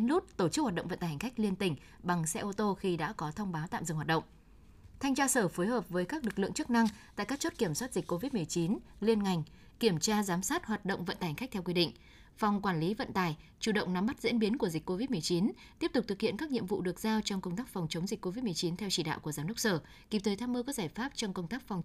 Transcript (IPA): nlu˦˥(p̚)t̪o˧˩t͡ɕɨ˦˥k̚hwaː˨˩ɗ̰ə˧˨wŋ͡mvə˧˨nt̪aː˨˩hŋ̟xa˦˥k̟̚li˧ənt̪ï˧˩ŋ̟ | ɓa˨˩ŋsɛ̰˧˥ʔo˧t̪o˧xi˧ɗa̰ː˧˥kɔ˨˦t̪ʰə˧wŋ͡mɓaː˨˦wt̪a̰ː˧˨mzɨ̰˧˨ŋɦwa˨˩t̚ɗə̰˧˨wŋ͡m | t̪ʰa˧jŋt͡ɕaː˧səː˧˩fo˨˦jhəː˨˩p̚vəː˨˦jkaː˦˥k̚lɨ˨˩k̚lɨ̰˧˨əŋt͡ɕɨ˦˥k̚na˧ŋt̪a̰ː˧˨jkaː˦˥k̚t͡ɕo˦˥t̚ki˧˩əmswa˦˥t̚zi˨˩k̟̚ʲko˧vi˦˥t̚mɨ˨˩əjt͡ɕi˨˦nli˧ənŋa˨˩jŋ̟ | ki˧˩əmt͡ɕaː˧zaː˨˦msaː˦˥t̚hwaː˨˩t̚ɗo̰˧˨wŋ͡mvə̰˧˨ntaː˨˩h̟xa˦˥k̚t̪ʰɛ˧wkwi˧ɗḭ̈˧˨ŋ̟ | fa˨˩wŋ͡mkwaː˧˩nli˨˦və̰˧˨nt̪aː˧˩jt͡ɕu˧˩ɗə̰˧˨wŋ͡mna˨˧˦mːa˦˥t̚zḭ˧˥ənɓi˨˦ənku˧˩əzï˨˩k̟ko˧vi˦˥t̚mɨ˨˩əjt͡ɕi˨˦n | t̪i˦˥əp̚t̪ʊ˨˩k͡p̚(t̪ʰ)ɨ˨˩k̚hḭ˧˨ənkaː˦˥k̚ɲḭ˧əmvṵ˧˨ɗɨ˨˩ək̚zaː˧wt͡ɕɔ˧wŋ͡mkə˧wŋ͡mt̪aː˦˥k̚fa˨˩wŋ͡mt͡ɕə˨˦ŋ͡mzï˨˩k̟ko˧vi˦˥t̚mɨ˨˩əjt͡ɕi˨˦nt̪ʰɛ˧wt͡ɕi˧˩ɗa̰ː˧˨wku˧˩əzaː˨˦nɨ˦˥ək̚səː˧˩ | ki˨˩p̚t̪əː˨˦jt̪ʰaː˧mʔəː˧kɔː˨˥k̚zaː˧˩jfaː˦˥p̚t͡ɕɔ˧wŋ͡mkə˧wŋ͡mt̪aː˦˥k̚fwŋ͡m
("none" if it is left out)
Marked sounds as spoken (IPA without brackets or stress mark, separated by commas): t̚, t̪